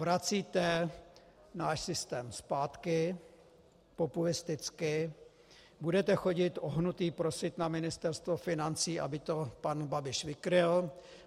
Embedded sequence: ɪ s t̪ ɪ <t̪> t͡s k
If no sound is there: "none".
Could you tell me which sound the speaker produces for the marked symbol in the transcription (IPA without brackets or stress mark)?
none